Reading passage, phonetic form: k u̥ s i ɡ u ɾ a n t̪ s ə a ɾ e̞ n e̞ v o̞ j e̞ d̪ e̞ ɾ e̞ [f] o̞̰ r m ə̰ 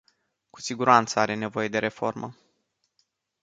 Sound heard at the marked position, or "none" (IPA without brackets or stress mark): f